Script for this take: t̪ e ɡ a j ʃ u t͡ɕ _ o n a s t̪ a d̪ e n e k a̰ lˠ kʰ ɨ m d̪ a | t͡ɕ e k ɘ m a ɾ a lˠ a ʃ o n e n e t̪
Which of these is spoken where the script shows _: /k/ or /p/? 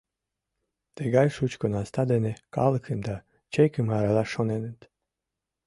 k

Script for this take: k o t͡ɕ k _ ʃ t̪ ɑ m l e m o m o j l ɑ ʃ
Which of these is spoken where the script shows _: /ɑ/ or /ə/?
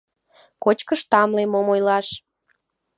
ə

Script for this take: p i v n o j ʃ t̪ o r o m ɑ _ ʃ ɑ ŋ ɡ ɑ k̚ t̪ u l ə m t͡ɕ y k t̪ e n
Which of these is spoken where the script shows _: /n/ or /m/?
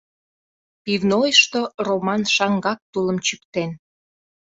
n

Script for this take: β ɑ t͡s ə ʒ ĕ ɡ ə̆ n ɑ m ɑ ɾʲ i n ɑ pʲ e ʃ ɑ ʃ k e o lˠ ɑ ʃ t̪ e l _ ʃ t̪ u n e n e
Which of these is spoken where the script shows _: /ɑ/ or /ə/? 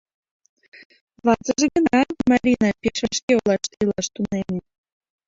ɑ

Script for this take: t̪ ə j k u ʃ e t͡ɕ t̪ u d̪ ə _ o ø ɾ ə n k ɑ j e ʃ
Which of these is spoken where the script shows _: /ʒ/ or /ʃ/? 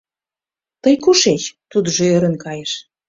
ʒ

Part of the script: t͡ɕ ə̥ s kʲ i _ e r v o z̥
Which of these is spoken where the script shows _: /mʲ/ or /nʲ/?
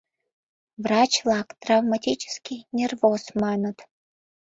nʲ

